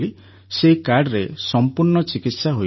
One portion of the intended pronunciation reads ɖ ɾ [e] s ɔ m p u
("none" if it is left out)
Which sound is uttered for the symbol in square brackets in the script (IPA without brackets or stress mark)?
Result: e